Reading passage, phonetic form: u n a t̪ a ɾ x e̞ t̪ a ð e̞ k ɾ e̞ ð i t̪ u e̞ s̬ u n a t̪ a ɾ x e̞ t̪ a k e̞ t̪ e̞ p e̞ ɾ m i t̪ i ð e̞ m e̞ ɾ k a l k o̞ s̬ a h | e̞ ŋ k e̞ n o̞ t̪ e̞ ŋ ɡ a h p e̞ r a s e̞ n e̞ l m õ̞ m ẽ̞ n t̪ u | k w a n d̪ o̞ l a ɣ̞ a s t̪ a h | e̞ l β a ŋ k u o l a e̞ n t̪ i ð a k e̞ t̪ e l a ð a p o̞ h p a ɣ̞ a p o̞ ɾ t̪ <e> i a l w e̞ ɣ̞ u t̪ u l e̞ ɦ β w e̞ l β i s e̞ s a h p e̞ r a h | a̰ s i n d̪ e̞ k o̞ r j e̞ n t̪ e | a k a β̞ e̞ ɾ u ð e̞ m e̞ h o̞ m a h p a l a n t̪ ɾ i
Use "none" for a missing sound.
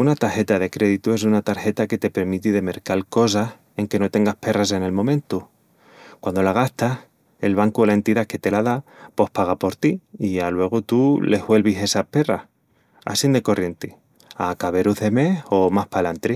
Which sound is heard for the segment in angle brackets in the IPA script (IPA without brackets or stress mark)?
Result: i